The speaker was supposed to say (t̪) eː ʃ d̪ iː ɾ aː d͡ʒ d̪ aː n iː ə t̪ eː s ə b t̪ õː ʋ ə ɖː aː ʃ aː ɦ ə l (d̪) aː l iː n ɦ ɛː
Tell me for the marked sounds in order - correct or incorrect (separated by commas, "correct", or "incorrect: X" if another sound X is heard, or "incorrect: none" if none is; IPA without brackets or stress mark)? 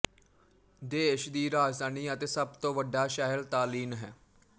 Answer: incorrect: d̪, incorrect: t̪